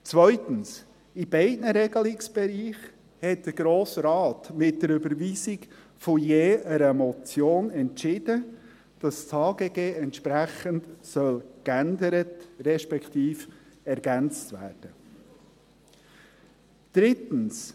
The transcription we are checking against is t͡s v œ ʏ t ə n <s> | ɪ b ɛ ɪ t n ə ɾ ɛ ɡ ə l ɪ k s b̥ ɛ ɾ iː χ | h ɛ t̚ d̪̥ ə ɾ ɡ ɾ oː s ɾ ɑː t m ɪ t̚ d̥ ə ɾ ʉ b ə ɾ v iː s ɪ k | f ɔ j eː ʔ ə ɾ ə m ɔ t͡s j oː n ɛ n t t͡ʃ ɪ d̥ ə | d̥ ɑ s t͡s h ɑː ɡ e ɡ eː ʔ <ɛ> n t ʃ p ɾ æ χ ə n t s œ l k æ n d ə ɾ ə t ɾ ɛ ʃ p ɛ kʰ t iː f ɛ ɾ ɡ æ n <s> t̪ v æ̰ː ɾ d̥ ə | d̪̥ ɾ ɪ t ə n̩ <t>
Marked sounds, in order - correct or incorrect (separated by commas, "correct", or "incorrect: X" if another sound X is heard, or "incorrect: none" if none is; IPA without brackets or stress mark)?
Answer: correct, correct, incorrect: t͡s, incorrect: s